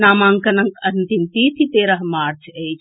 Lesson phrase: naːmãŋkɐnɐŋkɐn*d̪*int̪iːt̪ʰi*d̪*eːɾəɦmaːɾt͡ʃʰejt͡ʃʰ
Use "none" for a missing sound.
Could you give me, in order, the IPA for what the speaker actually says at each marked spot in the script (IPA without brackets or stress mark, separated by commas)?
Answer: t̪, t̪